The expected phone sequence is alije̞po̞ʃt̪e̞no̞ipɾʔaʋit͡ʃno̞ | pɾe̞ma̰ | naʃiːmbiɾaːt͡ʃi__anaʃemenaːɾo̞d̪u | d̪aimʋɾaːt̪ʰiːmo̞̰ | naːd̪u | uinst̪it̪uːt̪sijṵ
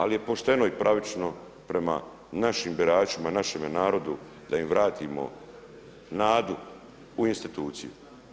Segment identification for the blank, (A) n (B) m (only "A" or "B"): B